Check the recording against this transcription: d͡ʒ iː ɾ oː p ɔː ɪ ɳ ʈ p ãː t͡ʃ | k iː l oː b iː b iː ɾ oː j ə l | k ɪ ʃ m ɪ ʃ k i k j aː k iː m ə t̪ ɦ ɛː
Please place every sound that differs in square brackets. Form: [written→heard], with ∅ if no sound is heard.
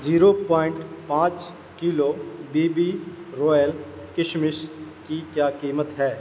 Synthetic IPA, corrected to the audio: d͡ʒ iː ɾ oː p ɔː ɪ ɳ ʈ p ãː t͡ʃ | k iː l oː b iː b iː ɾ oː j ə l | k ɪ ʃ m ɪ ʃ k i k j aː k iː m ə t̪ ɦ ɛː